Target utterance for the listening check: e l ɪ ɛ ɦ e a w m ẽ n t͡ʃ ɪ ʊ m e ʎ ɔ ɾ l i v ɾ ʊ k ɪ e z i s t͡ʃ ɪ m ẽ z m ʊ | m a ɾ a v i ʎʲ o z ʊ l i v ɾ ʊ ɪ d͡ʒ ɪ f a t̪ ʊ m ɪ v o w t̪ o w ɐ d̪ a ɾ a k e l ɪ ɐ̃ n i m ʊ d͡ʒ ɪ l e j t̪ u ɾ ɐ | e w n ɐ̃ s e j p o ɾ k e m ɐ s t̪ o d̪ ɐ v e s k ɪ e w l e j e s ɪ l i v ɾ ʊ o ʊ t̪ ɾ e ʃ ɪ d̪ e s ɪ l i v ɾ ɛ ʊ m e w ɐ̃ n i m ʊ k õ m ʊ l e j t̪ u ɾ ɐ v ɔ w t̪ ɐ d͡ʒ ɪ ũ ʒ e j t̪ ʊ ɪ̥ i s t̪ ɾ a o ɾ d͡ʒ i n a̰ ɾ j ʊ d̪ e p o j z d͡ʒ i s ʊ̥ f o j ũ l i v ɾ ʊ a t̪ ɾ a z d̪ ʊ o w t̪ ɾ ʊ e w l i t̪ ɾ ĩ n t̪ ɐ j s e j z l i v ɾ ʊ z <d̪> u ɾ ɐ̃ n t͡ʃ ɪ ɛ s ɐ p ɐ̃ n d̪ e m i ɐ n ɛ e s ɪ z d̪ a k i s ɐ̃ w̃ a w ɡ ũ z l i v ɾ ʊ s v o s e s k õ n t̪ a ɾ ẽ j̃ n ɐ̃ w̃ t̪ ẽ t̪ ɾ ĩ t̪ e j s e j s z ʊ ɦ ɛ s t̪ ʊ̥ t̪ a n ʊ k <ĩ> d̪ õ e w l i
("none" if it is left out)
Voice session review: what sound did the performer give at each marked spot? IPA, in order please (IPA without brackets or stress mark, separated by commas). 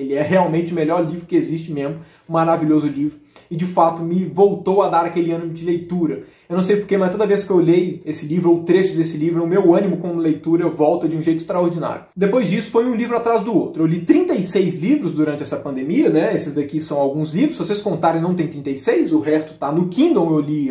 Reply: d̪, ĩ